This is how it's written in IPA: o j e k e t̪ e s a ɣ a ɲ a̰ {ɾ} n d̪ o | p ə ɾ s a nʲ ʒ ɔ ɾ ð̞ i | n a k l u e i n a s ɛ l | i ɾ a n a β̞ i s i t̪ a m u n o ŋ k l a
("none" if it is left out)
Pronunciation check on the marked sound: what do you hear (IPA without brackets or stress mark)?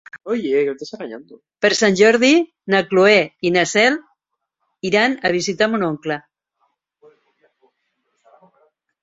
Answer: none